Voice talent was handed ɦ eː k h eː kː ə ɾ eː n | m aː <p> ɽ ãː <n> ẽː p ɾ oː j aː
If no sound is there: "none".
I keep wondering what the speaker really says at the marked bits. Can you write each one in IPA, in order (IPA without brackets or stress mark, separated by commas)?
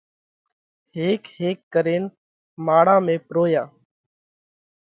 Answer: none, m